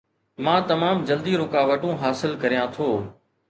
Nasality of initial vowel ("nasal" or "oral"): nasal